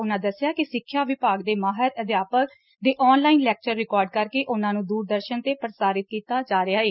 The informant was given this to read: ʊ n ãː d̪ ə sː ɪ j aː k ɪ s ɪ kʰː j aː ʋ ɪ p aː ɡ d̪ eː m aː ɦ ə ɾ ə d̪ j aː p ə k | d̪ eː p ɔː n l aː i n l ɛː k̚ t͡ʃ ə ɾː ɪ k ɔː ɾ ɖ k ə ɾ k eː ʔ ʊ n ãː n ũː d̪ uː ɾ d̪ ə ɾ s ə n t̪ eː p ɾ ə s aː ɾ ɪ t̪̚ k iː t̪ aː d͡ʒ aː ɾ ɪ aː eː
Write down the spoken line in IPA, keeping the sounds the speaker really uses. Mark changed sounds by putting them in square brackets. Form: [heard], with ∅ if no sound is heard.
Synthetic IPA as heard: ʊ n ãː d̪ ə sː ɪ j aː k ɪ s ɪ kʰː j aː ʋ ɪ p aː ɡ d̪ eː m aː ɦ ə ɾ ə d̪ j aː p ə k | d̪ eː [ʔ] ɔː n l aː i n l ɛː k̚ t͡ʃ ə ɾː ɪ k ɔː ɾ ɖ k ə ɾ k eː ʔ ʊ n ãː n ũː d̪ uː ɾ d̪ ə ɾ [ʃ] ə n t̪ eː p ɾ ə s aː ɾ ɪ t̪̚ k iː t̪ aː d͡ʒ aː ɾ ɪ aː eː